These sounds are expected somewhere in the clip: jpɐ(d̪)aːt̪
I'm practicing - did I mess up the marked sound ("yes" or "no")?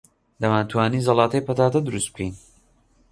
yes